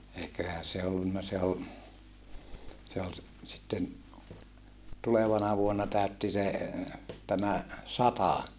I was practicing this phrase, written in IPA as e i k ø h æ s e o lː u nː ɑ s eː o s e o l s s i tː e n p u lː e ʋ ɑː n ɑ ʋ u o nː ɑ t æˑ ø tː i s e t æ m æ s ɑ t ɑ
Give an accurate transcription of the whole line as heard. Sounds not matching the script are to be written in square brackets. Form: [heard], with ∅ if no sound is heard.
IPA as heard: e i k ø h æ s e o lː u nː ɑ s [e] o s e o l s s i tː e n [t] u [l] e ʋ [ɑ] n ɑ ʋ u o nː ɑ t æˑ ø tː i s e t æ m æ s ɑ t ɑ